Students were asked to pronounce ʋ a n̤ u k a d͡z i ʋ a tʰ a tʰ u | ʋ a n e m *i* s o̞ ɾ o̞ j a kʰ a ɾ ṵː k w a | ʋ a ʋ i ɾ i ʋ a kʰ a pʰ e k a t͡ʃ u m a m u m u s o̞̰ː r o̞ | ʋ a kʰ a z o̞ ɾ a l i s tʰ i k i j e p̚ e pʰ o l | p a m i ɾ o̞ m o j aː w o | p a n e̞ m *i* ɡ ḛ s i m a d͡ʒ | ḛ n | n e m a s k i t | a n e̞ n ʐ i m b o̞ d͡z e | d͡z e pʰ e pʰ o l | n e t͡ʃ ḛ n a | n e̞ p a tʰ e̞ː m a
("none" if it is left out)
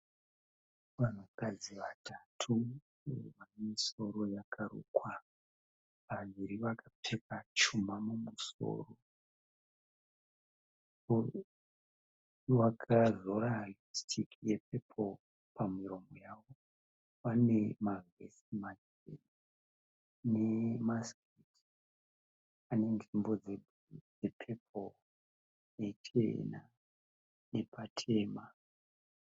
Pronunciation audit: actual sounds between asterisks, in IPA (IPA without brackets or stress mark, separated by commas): i, a